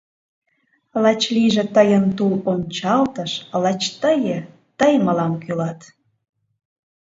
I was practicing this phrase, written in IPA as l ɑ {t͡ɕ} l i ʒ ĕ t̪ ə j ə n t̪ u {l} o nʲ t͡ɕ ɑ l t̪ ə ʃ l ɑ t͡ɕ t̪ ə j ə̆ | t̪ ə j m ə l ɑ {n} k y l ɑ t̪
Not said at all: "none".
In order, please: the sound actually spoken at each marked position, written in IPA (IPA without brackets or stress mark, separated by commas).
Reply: t͡ɕ, l, m